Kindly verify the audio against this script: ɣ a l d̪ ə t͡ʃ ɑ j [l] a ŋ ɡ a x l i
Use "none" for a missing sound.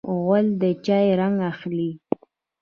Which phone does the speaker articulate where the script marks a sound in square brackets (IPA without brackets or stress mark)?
ɾ